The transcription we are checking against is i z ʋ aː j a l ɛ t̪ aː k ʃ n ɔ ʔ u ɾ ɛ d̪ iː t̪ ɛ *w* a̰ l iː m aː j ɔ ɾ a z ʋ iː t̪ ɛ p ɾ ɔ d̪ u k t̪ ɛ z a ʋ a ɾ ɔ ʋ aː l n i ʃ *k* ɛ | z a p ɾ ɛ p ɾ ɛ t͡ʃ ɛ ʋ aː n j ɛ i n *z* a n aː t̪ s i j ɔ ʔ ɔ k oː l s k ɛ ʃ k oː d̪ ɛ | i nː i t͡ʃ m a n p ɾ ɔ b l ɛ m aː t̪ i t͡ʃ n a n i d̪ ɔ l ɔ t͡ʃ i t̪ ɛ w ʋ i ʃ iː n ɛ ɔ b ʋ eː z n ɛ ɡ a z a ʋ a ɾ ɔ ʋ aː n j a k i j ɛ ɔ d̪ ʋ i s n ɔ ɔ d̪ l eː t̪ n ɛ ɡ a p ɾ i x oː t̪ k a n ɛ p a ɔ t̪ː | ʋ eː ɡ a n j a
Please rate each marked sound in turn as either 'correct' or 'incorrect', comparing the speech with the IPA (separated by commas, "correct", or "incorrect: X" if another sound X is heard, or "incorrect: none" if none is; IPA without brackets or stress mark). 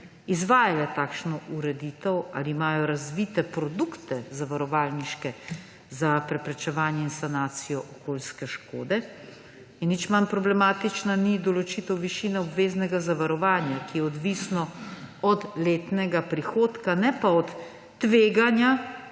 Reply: correct, correct, incorrect: s